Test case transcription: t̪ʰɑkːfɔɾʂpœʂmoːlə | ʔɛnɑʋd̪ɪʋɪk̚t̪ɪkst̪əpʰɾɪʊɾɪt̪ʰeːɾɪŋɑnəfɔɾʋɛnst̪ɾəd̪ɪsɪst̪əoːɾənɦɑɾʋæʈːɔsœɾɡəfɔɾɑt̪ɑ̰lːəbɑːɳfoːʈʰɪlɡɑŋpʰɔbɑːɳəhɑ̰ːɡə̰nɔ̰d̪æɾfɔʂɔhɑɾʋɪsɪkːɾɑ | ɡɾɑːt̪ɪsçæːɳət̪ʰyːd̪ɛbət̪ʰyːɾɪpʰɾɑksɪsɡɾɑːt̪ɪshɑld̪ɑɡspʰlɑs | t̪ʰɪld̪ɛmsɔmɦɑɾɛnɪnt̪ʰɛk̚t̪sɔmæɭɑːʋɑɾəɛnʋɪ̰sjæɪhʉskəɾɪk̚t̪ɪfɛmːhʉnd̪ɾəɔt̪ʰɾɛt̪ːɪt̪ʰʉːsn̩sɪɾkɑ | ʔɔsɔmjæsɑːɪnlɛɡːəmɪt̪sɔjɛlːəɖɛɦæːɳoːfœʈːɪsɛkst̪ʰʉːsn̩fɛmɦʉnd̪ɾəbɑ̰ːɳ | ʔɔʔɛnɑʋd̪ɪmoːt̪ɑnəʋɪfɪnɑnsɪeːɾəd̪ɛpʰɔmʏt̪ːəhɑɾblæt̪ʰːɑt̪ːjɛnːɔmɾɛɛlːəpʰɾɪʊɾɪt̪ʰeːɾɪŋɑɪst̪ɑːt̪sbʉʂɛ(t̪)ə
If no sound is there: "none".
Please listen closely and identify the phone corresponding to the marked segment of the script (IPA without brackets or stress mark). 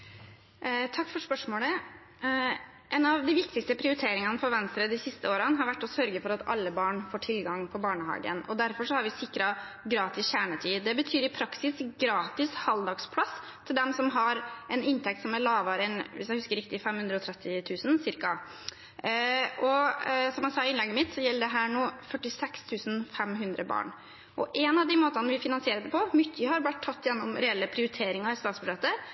t̪